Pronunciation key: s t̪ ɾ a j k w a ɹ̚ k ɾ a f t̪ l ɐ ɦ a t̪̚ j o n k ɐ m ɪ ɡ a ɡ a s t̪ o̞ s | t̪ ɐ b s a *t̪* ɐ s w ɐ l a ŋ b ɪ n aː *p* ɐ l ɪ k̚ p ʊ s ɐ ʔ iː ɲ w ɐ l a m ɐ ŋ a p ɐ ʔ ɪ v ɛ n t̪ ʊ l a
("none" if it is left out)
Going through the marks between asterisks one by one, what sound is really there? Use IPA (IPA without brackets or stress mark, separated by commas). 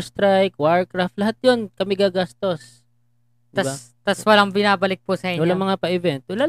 t̪, b